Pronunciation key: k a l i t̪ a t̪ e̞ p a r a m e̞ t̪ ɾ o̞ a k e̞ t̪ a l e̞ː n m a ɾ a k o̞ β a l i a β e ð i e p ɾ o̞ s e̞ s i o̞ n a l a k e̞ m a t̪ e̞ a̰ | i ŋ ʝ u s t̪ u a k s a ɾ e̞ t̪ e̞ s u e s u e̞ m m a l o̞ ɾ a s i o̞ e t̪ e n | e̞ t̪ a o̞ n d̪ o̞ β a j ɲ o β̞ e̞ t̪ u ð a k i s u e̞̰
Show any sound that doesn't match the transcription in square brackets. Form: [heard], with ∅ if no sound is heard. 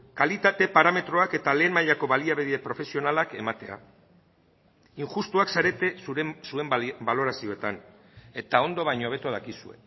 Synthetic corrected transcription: k a l i t̪ a t̪ e̞ p a [ɾ] a m e̞ t̪ ɾ o̞ a k e̞ t̪ a l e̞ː n m a [ʎ] a k o̞ β a l i a β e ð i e p ɾ o̞ [f] e̞ s i o̞ n a l a k e̞ m a t̪ e̞ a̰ | i ŋ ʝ u s t̪ u a k s a ɾ e̞ t̪ e̞ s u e s u e̞ m [b] a l o̞ ɾ a s i o̞ e t̪ [a] n | e̞ t̪ a o̞ n d̪ o̞ β a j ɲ o β̞ e̞ t̪ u ð a k i s u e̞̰